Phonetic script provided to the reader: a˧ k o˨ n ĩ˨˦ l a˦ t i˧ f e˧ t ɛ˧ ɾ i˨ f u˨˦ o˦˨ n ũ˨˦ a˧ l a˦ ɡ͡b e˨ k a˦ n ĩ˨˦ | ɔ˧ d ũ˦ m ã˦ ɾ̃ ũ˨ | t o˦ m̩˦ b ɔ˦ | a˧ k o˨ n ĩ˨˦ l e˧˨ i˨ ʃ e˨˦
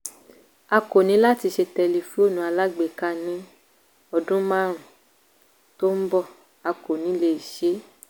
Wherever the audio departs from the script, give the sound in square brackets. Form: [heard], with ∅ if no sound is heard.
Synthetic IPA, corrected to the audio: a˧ k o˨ n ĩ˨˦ l a˦ t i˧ [ʃ] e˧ t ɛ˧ [l] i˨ f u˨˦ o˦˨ n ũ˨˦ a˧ l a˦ ɡ͡b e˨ k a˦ n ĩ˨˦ | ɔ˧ d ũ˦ m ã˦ ɾ̃ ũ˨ | t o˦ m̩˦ b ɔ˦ | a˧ k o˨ n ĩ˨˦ l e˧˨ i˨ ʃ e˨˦